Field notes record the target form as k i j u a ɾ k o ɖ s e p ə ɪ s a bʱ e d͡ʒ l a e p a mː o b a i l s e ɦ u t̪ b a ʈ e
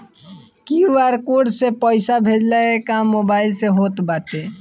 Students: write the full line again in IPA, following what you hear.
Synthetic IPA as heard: k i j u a ɾ k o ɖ s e p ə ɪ s a bʱ e d͡ʒ l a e k a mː o b a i l s e ɦ o t̪ b a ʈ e